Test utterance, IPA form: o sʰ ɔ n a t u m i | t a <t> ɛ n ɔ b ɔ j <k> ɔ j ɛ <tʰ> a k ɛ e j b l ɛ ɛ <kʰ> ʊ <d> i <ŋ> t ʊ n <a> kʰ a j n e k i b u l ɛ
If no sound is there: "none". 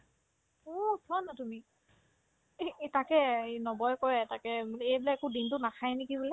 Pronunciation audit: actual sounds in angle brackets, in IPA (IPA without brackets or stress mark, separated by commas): k, k, t, k, d, n, a